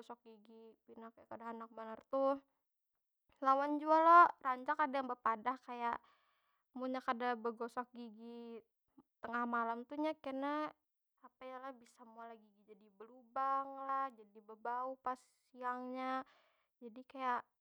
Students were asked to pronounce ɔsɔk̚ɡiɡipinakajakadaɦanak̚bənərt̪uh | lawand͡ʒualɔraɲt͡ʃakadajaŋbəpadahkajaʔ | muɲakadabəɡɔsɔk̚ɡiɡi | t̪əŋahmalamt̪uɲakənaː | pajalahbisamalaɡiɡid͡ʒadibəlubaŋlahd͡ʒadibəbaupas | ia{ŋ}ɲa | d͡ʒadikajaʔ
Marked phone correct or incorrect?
correct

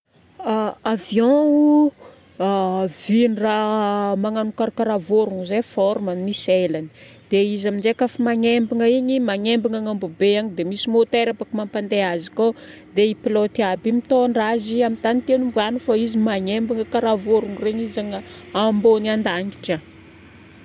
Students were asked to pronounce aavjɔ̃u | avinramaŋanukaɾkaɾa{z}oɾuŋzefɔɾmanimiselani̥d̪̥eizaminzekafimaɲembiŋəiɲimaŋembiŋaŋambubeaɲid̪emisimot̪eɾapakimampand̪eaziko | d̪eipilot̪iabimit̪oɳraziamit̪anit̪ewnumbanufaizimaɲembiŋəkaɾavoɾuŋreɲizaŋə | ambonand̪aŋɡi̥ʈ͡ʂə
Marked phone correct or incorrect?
incorrect: v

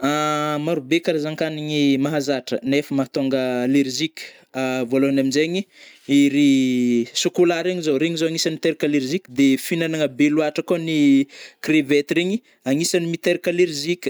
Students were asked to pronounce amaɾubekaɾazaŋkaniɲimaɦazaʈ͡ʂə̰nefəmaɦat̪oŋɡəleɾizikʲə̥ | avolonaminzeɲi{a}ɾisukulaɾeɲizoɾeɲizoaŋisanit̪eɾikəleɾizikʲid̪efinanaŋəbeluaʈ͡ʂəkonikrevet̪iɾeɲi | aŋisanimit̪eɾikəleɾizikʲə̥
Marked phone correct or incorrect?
incorrect: i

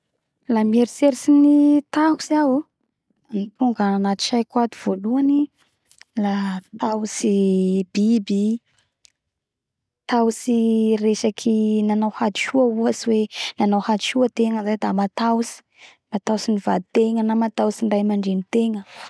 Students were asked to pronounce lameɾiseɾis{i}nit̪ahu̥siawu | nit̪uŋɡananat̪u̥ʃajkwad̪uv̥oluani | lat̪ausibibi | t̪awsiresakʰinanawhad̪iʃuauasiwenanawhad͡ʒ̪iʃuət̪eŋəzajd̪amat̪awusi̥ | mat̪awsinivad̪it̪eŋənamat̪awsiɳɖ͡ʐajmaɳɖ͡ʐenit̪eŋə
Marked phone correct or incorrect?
correct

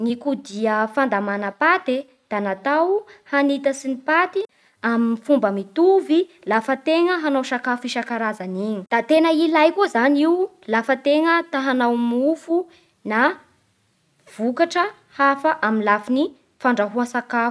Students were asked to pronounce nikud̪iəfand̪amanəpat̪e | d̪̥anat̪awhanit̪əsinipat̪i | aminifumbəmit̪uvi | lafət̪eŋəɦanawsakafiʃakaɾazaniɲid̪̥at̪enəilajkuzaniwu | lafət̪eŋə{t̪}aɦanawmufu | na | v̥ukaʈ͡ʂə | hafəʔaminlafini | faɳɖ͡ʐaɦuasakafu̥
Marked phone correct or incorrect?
correct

